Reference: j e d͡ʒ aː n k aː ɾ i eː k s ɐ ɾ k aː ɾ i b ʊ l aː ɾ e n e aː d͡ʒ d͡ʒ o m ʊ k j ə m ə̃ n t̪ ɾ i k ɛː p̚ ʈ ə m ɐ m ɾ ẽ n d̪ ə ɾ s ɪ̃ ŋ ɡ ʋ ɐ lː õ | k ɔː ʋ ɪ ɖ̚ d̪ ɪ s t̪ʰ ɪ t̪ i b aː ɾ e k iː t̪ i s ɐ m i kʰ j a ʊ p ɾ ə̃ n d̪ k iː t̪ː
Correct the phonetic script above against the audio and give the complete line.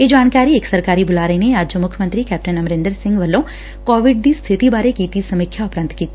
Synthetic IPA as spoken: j e d͡ʒ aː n k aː ɾ i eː k s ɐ ɾ k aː ɾ i b ʊ l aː ɾ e n e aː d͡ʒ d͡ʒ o m ʊ kʰ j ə m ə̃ n t̪ ɾ i k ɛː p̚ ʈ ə n ɐ m ɾ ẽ n d̪ ə ɾ s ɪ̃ ŋ ɡ ʋ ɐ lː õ | k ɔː ʋ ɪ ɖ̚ d̪ i s t̪ʰ ɪ t̪ i b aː ɾ e k iː t̪ i s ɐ m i kʰ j a ʊ p ɾ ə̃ n t̪ k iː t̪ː

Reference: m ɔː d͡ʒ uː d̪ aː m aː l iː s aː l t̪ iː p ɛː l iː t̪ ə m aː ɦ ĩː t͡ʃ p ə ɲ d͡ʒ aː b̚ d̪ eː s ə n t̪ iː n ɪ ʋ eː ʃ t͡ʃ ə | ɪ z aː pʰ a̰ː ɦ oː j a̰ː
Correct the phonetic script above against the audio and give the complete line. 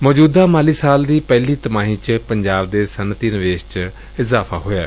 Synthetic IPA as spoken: m ɔː d͡ʒ uː d̪ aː m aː l iː s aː l d̪ iː p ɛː l iː t̪ ə m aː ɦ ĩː t͡ʃ p ə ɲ d͡ʒ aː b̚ d̪ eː s ə n t̪ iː n ɪ ʋ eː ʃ t͡ʃ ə | ɪ z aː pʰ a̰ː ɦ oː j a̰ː

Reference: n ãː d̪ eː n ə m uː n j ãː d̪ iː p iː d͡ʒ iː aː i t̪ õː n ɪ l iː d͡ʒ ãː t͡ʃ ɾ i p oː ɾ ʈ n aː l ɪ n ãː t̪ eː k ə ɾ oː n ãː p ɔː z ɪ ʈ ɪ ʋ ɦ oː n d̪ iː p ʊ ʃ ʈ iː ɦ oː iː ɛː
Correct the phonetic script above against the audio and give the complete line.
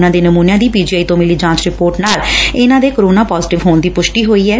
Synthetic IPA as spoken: n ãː d̪ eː n ə m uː n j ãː d̪ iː p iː d͡ʒ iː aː i t̪ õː m ɪ l iː d͡ʒ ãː t͡ʃ ɾ ɪ p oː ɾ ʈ n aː l ɪ n ãː d̪ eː k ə ɾ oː n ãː p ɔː z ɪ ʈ ɪ ʋ ɦ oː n d̪ iː p ʊ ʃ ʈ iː ɦ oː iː ɛː

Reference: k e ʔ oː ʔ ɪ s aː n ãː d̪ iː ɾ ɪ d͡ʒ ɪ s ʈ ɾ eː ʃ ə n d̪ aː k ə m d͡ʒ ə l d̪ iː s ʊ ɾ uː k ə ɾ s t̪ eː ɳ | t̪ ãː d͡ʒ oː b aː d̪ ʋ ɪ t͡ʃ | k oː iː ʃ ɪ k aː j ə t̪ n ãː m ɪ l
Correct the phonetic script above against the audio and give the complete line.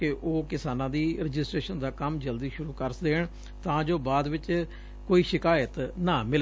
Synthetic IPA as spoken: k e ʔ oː k ɪ s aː n ãː d̪ iː ɾ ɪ d͡ʒ ɪ s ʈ ɾ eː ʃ ə n d̪ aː k ə m d͡ʒ ə l d̪ iː ʃ ʊ ɾ uː k ə ɾ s d̪ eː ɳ | t̪ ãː d͡ʒ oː b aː d̪ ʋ ɪ t͡ʃ | k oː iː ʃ ɪ k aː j ə t̪ n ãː m ɪ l

